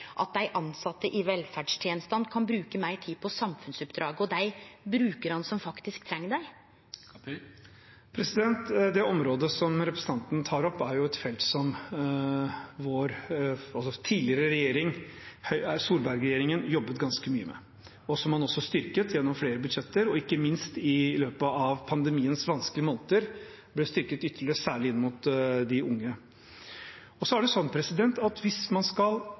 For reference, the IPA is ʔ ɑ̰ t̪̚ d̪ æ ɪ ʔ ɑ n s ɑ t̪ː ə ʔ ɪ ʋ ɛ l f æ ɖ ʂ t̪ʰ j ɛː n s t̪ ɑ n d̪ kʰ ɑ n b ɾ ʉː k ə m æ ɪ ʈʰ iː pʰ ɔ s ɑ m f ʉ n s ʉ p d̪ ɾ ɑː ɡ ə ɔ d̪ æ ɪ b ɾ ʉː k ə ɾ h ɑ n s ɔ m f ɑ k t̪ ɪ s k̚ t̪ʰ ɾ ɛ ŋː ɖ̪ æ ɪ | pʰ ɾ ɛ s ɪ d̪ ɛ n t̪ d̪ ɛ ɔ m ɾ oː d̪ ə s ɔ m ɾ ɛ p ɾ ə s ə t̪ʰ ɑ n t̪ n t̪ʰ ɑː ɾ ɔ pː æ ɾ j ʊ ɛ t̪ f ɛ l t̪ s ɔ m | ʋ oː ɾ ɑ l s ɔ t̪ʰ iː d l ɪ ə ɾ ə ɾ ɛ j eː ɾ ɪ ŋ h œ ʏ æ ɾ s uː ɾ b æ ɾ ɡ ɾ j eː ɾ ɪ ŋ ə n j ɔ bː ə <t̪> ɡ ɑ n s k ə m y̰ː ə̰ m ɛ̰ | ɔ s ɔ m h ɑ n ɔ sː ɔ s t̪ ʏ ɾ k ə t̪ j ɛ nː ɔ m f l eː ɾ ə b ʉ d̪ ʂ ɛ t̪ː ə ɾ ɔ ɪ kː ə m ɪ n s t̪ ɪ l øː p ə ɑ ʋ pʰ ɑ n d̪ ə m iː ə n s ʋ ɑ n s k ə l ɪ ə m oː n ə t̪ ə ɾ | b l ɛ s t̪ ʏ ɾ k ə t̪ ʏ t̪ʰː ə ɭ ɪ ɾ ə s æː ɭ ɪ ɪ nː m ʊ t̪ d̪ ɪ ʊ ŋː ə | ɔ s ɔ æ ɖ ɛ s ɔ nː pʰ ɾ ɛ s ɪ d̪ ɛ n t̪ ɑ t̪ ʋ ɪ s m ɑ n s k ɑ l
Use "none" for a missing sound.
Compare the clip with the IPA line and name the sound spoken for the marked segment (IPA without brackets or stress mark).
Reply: t̪